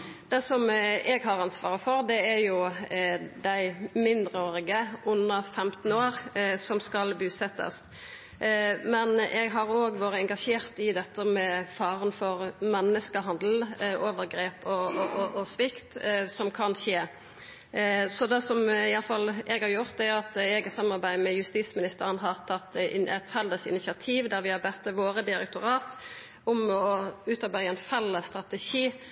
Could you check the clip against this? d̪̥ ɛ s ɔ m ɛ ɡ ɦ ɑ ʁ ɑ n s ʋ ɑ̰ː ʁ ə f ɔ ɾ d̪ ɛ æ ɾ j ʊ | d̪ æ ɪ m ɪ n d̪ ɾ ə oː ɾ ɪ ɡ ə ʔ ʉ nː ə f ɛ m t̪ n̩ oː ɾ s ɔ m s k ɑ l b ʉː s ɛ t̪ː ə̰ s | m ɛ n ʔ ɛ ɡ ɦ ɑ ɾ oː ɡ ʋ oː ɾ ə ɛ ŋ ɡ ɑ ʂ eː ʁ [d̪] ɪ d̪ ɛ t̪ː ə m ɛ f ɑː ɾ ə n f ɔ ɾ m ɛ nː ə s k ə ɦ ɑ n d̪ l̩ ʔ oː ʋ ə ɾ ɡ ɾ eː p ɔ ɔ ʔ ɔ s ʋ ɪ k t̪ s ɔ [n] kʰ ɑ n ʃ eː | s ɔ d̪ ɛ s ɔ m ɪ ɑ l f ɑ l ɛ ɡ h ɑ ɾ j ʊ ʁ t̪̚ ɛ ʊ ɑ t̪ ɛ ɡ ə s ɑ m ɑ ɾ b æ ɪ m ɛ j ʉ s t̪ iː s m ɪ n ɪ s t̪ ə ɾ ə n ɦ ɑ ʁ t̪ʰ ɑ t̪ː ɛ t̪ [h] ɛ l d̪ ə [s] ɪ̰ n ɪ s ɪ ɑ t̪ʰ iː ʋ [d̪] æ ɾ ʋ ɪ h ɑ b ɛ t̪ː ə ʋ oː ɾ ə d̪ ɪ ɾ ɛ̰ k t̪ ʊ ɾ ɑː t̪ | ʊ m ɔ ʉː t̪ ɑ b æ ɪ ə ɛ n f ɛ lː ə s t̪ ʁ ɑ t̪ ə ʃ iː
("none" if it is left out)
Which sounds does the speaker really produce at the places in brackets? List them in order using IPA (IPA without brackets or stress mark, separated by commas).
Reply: t̪, m, f, s, d̪